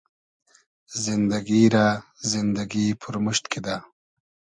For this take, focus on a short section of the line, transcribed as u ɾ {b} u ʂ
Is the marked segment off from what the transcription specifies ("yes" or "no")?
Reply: yes